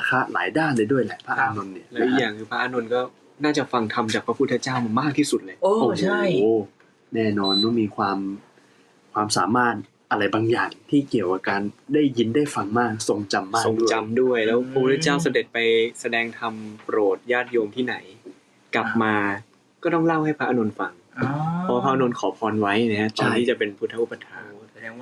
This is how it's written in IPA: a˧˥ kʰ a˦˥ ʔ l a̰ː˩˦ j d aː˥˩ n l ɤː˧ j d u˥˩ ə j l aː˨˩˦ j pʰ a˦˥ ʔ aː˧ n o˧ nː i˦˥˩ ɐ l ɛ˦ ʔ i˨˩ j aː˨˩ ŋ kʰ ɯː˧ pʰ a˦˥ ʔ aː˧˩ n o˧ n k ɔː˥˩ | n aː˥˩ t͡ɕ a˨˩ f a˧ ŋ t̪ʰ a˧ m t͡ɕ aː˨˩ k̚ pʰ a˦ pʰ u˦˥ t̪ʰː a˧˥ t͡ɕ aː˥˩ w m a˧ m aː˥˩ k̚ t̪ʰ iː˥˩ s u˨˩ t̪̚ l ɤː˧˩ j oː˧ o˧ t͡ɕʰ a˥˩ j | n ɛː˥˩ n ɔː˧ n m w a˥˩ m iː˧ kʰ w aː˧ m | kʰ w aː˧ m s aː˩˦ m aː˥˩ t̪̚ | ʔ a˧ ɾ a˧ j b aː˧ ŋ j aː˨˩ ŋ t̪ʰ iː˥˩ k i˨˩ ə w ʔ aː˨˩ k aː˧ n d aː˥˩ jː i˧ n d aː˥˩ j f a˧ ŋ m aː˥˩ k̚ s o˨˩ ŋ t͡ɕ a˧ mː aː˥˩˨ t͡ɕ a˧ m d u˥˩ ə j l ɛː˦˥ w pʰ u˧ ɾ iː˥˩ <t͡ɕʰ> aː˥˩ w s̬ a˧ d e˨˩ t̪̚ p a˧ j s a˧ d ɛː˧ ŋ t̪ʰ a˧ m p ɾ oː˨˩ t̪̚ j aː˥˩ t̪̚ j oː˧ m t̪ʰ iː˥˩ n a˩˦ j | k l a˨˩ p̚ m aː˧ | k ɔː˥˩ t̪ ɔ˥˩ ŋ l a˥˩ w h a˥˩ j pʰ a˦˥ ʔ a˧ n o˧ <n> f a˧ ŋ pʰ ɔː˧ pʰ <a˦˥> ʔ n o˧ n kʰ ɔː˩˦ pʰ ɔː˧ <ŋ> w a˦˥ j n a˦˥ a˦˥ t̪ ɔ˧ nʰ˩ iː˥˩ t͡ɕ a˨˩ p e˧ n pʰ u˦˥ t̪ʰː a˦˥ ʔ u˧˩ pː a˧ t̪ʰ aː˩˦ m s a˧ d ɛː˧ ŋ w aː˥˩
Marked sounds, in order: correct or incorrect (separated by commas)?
incorrect, correct, correct, incorrect